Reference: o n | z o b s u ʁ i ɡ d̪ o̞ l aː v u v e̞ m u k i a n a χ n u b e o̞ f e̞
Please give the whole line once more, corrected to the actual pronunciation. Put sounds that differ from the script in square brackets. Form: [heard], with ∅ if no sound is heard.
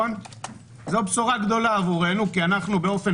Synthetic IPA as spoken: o n | z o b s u ʁ [a] ɡ d̪ o̞ l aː v u [ʁ] e̞ [n] u k i a n a χ n u b e o̞ f e̞